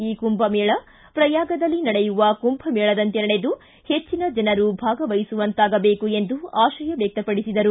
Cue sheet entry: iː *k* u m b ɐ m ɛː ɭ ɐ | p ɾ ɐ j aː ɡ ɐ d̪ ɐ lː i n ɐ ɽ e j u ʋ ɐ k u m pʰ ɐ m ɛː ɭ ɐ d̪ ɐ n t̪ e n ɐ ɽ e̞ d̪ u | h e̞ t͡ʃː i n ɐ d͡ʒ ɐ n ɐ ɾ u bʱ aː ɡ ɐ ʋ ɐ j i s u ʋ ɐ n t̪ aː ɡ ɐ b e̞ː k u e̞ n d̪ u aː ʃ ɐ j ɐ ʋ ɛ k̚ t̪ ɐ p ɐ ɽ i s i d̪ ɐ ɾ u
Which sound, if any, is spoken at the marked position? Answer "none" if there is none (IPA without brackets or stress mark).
k